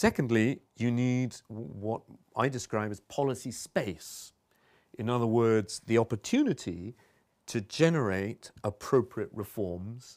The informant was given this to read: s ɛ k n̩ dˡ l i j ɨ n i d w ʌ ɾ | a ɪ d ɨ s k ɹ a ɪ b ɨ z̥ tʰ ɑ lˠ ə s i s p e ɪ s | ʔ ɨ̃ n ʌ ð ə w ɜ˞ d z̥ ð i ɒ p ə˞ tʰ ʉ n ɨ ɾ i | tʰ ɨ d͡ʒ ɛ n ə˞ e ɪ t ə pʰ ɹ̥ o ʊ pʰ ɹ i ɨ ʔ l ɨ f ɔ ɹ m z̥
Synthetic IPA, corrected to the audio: s ɛ k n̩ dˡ l i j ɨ n i d w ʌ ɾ | a ɪ d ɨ s k ɹ a ɪ b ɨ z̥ pʰ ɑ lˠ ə s i s p e ɪ s | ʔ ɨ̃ n ʌ ð ə w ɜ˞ d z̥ ð i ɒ p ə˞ tʰ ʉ n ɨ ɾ i | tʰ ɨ d͡ʒ ɛ n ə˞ e ɪ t ə pʰ ɹ̥ o ʊ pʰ ɹ i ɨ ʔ ɹ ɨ f ɔ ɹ m z̥